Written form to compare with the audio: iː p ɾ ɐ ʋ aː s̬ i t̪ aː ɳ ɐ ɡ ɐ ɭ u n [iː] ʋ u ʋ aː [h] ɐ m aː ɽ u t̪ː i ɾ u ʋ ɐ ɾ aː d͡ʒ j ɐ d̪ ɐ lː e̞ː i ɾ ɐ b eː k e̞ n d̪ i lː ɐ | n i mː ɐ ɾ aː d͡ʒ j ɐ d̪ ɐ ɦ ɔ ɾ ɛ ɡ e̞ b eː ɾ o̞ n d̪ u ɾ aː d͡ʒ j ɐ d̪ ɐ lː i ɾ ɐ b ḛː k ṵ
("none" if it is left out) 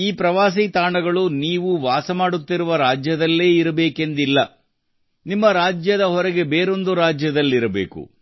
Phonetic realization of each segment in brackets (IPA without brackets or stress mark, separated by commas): iː, s